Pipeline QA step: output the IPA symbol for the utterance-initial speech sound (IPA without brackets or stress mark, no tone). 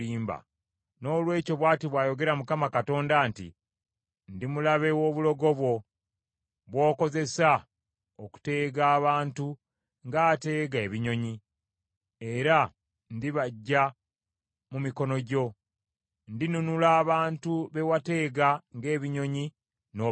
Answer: iː